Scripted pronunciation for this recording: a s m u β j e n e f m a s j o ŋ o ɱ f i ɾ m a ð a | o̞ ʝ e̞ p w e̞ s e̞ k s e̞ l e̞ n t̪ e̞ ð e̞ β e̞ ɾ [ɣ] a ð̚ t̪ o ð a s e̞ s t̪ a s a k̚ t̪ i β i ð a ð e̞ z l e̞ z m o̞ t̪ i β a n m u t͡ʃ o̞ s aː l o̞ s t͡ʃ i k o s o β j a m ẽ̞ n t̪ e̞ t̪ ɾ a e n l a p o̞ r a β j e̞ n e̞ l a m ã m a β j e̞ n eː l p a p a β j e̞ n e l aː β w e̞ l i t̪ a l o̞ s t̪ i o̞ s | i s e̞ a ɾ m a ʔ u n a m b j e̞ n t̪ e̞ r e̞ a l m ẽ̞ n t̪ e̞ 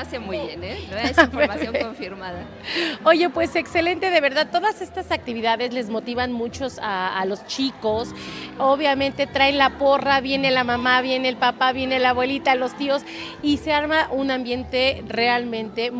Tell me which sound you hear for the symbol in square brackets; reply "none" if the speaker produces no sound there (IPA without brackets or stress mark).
ð